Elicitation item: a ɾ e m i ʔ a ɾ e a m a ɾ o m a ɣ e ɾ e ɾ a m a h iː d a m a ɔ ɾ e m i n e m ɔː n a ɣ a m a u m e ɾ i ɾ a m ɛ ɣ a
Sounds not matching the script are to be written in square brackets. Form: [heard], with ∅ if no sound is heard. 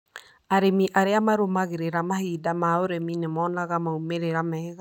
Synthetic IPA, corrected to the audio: a ɾ e m i ʔ a ɾ e a m a ɾ o m a ɣ e ɾ e ɾ a m a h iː d a m a [o] ɾ e m i n e m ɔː n a ɣ a m a u m e ɾ [e] ɾ a m ɛ ɣ a